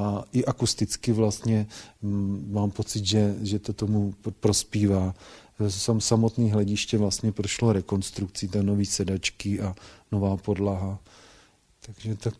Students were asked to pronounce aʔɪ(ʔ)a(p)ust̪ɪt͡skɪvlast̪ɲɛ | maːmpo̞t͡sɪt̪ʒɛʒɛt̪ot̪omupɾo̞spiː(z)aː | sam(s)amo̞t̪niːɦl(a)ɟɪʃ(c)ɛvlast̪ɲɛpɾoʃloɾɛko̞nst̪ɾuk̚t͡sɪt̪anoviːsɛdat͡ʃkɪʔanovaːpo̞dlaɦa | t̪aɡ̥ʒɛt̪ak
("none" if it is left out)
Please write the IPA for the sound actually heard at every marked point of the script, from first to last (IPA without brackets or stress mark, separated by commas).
ʔ, k, v, s, ɛ, c